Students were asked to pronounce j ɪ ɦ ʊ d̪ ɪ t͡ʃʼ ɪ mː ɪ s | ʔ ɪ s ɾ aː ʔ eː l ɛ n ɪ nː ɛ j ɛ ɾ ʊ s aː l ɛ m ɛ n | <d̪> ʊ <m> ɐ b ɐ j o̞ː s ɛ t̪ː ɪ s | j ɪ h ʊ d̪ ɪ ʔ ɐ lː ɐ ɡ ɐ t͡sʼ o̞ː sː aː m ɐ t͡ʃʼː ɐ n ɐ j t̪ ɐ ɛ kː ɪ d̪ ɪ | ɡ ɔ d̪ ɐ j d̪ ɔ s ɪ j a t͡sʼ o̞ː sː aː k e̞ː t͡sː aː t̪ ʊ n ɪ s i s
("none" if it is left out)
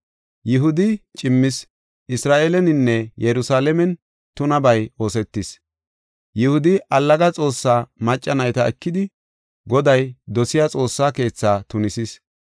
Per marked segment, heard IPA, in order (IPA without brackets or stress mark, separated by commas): t̪, n